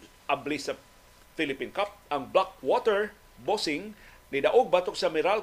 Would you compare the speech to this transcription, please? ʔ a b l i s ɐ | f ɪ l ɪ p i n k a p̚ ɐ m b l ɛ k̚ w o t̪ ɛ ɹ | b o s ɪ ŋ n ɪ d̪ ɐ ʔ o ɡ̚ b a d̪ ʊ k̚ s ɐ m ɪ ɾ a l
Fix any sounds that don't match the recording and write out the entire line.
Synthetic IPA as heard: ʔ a b l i s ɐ | f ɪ l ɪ p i n k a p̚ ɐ ŋ b l a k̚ w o t̪ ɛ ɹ | b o s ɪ ŋ n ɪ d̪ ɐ ʔ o ɡ̚ b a t̪ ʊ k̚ s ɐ m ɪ ɾ a l